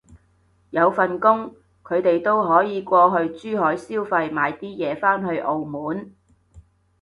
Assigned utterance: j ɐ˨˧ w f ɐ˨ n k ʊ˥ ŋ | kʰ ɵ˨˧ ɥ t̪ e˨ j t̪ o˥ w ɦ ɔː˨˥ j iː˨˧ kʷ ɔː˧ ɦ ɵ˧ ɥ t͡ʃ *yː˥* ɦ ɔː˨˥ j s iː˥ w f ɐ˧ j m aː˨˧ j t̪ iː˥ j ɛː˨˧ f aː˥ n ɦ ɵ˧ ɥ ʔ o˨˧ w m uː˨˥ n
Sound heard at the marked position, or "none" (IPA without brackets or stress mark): yː˥